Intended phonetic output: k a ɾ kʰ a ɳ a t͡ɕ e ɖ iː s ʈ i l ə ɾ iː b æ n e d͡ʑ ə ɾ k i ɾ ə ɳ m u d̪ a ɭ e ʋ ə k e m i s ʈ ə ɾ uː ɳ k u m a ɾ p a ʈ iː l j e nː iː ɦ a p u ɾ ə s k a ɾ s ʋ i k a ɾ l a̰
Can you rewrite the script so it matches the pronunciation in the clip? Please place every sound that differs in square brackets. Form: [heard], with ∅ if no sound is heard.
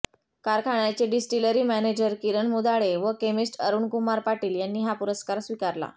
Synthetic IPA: k a ɾ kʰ a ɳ a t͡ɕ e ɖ [i] s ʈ i l ə ɾ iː [m] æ n e d͡ʑ ə ɾ k i ɾ ə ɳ m u d̪ a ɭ e ʋ ə k e m i s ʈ ə ɾ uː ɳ k u m a ɾ p a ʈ iː l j [a] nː iː ɦ a p u ɾ ə s k a ɾ s ʋ i k a ɾ l a̰

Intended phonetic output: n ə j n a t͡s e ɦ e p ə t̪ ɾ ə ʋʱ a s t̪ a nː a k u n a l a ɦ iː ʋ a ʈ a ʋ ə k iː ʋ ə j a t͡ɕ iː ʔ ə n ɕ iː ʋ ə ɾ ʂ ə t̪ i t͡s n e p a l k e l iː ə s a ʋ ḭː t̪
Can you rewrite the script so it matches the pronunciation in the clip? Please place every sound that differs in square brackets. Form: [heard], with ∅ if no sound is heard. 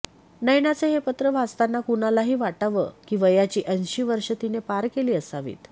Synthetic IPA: n ə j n a t͡s e ɦ e p ə t̪ ɾ ə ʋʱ a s t̪ a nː a k u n a l a ɦ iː ʋ a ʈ a ʋ ə k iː ʋ ə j a t͡ɕ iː ʔ ə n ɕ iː ʋ ə ɾ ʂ ə t̪ i [∅] n e p a [ɾ] k e l iː ə s a ʋ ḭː t̪

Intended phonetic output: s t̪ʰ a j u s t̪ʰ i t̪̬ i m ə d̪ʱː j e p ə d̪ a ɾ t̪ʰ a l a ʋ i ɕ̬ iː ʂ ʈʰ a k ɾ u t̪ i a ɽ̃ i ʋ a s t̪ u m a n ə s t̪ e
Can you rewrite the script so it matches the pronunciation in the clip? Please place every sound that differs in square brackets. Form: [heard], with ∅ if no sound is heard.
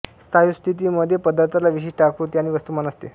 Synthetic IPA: s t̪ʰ a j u s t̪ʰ i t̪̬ i m ə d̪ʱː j e p ə d̪ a ɾ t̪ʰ a l a ʋ i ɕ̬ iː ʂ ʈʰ a k ɾ u t̪ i a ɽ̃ i ʋ [ə] s t̪ u m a n ə s t̪ e

